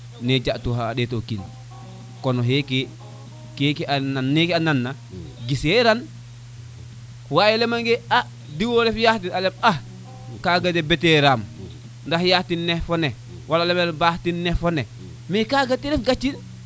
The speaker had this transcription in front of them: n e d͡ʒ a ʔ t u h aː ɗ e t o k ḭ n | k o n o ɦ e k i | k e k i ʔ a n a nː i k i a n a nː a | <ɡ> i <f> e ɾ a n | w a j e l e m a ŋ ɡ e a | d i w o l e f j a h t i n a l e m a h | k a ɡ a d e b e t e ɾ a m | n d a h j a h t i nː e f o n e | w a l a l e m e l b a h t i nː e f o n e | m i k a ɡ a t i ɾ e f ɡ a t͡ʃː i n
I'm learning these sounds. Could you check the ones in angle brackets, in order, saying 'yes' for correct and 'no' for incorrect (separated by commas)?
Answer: yes, no